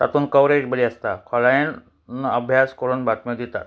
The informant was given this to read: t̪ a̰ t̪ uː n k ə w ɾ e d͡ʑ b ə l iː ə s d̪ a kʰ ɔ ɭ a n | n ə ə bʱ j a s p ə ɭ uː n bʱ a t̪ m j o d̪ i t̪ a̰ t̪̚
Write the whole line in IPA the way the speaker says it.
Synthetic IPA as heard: t̪ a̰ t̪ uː n k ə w ɾ e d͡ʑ b ə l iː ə s t̪ a kʰ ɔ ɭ a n | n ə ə bʱ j a s k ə ɾ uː n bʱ a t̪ m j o d̪ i t̪ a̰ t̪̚